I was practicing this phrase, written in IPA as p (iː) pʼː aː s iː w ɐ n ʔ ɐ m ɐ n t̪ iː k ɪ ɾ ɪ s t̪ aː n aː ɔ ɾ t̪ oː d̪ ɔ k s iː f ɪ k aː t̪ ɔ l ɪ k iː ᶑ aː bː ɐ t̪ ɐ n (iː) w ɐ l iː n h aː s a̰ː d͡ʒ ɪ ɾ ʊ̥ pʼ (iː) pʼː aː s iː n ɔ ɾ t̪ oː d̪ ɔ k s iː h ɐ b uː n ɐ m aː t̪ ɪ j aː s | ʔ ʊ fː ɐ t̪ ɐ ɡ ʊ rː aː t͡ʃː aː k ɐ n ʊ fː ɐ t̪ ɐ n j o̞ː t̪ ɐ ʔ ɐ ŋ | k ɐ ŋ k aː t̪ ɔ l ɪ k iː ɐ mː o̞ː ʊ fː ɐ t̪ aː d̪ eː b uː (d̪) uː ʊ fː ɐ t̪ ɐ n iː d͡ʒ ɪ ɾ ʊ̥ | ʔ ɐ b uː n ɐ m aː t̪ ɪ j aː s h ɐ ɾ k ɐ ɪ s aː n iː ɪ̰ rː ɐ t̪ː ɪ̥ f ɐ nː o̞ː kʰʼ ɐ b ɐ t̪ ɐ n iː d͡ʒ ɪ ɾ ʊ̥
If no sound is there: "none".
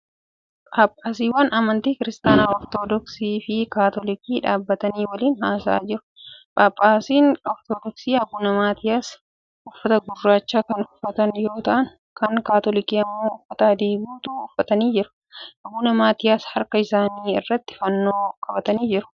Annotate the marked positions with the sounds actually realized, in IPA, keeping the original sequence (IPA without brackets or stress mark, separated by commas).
aː, iː, aː, t̪